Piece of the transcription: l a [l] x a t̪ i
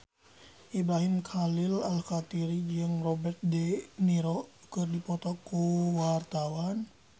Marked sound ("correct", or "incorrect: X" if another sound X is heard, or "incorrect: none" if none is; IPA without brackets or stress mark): correct